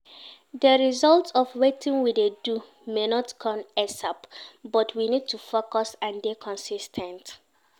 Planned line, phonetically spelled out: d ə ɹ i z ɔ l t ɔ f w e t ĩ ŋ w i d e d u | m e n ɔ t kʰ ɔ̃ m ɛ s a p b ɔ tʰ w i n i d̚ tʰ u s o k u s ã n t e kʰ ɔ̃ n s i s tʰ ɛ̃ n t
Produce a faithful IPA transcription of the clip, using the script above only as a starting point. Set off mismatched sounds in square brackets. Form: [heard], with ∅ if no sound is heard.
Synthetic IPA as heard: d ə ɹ i z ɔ l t ɔ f w e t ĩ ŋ w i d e d u | m e n ɔ t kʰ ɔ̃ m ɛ s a p b ɔ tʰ w i n i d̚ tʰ u [f] o k [ɔ] s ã n [d] e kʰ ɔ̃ n s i s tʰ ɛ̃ n t